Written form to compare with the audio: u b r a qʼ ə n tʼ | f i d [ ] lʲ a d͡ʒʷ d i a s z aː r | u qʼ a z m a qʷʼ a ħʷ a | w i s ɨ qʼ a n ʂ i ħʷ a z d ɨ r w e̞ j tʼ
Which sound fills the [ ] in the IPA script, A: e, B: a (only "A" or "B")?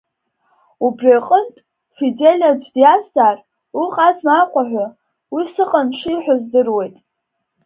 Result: A